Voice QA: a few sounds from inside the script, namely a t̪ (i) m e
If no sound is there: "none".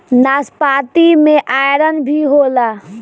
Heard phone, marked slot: i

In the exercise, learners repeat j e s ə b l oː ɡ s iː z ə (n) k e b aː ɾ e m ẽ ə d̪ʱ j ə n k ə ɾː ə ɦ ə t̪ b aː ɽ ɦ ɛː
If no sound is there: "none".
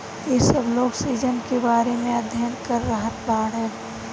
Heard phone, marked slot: n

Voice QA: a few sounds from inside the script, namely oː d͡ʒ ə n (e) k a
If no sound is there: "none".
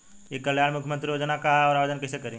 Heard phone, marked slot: a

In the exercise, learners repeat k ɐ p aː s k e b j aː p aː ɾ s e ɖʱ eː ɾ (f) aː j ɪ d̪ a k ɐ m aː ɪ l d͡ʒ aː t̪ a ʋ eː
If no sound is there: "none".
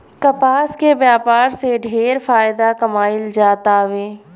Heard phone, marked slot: f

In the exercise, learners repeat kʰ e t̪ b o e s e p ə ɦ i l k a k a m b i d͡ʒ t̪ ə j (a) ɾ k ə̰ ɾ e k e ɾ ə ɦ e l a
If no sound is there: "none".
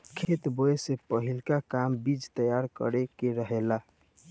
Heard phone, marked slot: a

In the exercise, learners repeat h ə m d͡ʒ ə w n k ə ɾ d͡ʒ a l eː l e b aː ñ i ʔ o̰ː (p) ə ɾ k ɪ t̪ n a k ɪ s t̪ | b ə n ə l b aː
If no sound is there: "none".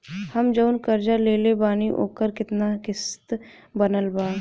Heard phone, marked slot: k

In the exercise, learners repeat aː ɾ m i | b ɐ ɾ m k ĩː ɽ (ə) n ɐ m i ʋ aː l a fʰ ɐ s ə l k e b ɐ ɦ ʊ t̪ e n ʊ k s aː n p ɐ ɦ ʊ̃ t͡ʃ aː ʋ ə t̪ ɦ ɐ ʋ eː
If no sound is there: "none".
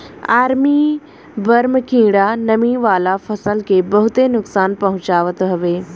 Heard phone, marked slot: a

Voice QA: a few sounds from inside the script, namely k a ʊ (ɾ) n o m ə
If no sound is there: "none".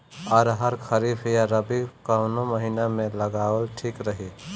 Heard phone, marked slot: none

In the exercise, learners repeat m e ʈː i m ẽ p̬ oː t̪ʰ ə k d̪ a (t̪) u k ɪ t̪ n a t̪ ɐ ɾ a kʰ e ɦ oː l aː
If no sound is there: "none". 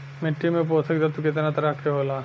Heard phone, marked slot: t̪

